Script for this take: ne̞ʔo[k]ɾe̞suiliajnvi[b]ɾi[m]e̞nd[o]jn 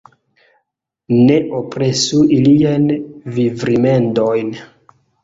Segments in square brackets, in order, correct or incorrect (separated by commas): incorrect, incorrect, correct, correct